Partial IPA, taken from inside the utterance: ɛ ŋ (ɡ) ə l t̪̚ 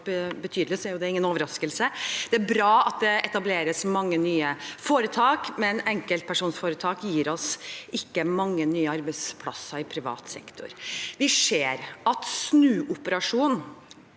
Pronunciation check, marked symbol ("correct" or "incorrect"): incorrect